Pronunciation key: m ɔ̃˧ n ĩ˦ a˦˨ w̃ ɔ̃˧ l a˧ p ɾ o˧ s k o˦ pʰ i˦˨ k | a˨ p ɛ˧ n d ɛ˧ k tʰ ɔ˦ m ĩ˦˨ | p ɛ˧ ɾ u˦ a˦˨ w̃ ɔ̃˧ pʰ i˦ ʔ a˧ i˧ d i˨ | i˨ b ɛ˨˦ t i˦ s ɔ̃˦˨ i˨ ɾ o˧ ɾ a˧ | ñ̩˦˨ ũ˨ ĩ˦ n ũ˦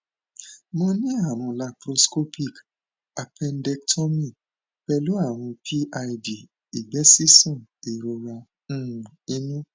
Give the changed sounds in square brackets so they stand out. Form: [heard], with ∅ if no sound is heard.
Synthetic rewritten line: m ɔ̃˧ n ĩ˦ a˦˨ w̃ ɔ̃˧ l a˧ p ɾ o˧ s k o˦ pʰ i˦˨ k | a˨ p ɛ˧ n d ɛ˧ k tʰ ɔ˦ m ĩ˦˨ | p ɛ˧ [l] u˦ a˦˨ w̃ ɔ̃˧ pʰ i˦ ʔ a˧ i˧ d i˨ | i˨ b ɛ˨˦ [s] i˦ s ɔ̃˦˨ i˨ ɾ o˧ ɾ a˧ | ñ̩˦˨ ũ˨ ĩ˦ n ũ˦